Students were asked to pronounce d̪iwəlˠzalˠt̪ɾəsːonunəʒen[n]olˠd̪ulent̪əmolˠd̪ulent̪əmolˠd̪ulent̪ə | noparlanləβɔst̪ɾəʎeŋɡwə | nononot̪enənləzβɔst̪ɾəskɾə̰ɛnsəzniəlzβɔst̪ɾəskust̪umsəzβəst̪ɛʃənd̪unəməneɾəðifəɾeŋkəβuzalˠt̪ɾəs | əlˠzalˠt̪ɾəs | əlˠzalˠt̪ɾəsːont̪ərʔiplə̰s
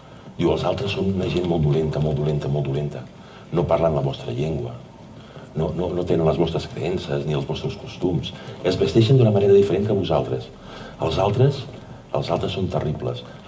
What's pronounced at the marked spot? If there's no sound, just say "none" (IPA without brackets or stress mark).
m